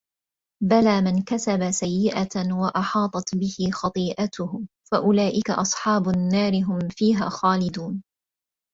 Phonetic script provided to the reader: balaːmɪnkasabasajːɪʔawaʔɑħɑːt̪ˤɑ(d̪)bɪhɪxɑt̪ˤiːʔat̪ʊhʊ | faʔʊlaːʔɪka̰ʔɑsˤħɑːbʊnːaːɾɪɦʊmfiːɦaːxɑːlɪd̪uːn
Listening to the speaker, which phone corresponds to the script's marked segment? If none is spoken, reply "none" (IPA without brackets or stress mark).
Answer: t̪